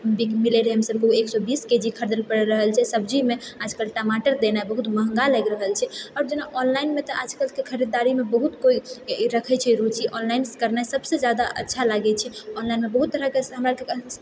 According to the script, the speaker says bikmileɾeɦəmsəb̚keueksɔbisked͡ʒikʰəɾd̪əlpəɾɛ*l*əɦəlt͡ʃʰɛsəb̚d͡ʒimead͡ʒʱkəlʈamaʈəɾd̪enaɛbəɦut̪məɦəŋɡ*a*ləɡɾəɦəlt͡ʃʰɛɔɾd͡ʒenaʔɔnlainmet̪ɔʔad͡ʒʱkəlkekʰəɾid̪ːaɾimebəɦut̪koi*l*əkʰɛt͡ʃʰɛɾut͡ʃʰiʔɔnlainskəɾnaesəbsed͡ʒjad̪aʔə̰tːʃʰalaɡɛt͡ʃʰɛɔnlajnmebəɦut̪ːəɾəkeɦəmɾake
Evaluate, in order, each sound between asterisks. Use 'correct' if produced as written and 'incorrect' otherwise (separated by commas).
incorrect, correct, incorrect